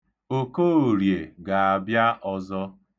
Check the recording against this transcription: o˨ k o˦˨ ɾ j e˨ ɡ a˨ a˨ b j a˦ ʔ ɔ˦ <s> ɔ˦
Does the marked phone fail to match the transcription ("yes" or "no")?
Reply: yes